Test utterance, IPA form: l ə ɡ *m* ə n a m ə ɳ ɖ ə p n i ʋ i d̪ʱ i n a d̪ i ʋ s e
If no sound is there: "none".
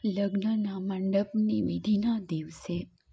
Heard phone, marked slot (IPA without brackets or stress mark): n